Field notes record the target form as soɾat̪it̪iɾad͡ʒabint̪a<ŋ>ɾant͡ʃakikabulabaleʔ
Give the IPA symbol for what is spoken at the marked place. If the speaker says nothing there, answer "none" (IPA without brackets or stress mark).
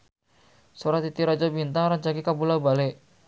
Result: ŋ